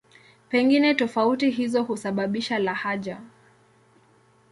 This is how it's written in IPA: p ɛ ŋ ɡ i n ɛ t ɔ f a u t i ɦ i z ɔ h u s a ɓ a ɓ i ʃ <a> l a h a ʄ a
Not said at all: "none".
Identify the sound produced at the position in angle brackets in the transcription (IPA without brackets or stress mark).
a